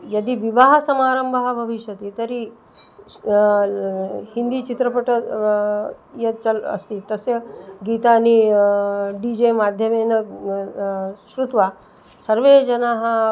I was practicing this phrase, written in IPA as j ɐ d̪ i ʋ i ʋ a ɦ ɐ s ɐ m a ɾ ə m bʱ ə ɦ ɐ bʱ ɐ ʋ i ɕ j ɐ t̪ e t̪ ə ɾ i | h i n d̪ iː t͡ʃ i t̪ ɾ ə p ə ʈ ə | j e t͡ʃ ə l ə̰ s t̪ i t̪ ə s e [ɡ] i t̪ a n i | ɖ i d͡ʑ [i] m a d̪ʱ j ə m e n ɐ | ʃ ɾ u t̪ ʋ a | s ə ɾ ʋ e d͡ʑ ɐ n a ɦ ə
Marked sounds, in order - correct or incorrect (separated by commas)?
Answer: correct, incorrect